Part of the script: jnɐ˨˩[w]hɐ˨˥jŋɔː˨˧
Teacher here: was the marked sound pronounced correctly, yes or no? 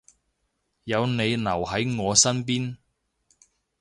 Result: yes